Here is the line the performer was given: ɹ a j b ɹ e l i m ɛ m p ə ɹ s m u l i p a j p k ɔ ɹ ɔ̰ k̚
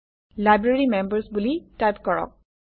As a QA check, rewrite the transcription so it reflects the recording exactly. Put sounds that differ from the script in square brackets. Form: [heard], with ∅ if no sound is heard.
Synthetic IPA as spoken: [l] a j b ɹ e [ɹ] i m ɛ m [b] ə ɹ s [b] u l i [t] a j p k ɔ ɹ ɔ̰ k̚